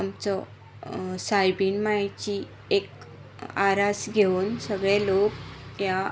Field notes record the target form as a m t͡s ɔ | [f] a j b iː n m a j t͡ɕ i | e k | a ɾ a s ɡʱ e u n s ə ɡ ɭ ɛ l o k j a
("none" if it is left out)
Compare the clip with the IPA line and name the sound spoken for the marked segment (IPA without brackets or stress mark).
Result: s